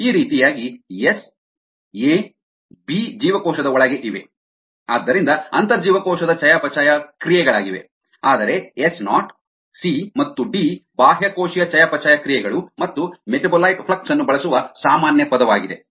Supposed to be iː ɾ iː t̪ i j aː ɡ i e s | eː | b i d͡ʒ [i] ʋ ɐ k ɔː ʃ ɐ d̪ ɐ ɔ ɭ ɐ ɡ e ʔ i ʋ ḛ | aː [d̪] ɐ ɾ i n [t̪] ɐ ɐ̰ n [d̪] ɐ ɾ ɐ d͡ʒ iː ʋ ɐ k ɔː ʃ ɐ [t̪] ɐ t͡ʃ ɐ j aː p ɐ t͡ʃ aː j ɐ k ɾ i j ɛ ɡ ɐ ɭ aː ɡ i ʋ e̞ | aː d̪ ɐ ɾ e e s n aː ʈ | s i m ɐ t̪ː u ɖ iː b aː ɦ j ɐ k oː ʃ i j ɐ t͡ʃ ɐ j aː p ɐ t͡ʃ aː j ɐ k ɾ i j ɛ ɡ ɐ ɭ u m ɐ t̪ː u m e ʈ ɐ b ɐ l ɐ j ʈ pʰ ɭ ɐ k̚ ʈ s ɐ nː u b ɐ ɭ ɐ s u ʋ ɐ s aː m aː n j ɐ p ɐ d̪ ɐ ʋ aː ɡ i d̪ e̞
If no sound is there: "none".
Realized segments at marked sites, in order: iː, d̪ː, d̪, t̪, d̪

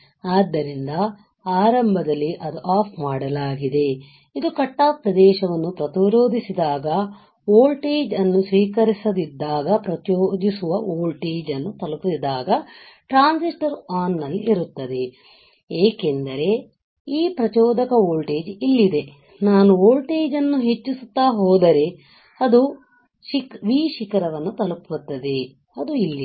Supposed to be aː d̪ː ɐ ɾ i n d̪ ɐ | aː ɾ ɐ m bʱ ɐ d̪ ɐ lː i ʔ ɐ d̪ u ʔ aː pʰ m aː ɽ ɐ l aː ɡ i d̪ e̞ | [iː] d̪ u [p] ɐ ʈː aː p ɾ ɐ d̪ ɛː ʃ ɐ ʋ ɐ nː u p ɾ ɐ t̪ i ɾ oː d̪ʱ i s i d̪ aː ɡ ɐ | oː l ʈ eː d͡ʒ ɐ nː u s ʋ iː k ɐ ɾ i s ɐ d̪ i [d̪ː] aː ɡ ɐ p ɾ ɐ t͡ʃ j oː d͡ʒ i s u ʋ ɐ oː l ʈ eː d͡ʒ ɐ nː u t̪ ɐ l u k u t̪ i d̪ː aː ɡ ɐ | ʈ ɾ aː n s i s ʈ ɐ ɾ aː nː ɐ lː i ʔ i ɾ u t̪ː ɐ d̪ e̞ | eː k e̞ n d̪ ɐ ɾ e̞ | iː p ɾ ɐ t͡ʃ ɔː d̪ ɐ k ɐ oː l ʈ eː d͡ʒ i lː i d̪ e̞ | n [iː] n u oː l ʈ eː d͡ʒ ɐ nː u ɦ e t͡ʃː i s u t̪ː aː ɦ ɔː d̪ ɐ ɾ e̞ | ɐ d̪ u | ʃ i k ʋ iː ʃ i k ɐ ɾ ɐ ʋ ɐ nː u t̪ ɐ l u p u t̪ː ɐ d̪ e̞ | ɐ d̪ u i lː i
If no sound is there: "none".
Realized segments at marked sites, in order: i, k, d̪ː, aː

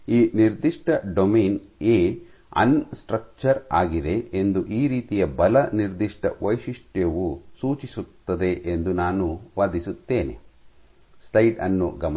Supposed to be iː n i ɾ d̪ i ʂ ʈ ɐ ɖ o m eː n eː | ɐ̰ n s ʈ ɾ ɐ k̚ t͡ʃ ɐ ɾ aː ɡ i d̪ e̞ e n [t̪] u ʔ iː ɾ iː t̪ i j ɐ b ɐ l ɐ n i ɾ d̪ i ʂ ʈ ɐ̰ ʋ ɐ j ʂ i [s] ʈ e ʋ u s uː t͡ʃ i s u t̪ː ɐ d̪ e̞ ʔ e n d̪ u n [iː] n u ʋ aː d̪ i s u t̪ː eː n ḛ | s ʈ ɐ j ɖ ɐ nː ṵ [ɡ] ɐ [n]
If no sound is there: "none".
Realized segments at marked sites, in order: d̪, ʂ, aː, ɡ, m

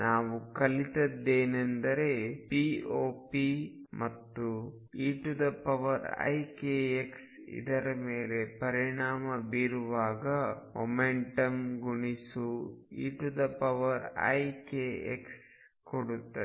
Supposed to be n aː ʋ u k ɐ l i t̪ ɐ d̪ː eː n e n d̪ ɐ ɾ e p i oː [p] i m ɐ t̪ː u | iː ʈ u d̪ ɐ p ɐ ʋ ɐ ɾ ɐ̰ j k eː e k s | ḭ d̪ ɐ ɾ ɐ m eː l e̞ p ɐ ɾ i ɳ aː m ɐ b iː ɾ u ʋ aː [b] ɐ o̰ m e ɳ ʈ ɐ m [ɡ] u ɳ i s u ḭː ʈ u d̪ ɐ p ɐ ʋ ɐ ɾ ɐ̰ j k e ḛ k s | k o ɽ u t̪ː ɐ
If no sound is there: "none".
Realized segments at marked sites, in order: p, ɡ, ɡ

